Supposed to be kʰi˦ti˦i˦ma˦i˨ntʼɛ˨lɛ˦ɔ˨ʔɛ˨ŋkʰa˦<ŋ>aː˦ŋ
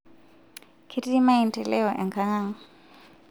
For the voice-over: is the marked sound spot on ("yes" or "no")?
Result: yes